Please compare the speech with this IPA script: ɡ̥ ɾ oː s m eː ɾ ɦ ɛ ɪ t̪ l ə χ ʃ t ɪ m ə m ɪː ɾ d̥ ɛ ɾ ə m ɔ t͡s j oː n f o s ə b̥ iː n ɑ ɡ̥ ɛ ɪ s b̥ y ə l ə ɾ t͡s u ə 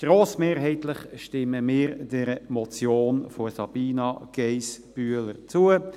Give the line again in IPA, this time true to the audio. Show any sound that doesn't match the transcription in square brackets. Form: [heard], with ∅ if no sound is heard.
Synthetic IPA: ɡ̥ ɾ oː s m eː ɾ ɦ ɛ ɪ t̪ l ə χ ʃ t ɪ m ə m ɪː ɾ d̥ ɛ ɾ ə m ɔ t͡s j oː n f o s [ɑ] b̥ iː n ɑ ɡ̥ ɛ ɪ s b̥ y ə l ə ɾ t͡s u ə